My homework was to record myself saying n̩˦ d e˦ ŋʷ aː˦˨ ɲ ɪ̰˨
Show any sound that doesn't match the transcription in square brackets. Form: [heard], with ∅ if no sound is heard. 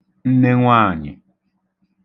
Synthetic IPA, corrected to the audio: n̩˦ [n] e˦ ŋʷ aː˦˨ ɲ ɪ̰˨